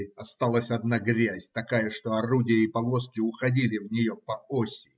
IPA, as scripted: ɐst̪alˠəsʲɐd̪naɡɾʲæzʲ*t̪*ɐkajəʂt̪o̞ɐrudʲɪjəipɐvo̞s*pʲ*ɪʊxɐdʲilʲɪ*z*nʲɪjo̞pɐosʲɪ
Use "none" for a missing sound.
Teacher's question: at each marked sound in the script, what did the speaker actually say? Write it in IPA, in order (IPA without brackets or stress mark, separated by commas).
t̪, kʲ, v